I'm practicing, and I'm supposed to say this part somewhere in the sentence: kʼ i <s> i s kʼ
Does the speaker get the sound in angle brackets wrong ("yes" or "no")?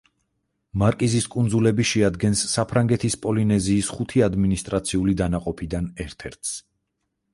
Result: yes